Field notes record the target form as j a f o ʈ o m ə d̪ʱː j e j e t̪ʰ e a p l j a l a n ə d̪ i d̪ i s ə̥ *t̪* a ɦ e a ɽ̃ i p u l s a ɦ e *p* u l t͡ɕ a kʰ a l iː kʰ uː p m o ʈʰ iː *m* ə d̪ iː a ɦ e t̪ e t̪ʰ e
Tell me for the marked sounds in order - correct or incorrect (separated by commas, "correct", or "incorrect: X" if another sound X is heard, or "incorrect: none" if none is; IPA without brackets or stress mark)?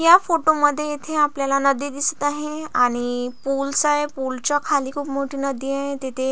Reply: correct, correct, incorrect: n